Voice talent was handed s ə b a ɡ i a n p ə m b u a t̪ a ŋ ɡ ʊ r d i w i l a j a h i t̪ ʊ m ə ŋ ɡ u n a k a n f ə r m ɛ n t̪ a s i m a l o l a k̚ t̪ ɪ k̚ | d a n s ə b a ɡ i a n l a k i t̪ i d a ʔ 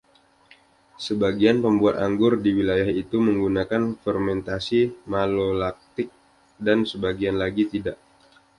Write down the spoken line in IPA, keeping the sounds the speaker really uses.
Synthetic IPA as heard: s ə b a ɡ i a n p ə m b u a t̪ a ŋ ɡ ʊ r d i w i l a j a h i t̪ u m ə ŋ ɡ u n a k a n f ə r m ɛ n t̪ a s i m a l o l a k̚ t̪ ɪ k̚ | d a n s ə b a ɡ i a n l a ɡ i t̪ i d a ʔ